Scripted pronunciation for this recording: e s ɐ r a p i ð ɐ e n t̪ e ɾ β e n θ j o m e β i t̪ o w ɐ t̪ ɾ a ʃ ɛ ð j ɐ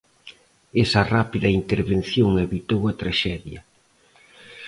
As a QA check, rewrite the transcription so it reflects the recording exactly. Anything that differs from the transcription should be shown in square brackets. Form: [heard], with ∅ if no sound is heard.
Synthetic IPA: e s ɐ r a p i ð ɐ [i] n t̪ e ɾ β e n θ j o [ŋ] e β i t̪ o w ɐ t̪ ɾ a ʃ ɛ ð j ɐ